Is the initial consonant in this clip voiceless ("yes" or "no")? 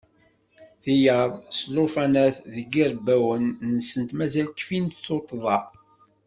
yes